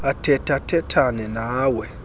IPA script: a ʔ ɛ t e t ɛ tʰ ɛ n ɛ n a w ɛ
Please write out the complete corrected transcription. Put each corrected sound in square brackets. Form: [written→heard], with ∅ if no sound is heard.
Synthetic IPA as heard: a [ʔ→t] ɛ t [e→a] t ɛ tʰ [ɛ→a] n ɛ n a w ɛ